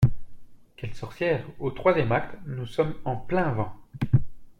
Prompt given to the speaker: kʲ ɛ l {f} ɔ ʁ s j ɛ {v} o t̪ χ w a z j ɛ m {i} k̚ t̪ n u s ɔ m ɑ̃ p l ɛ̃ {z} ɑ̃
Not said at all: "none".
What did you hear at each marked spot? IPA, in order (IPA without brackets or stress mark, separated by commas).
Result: s, ʁ, a, v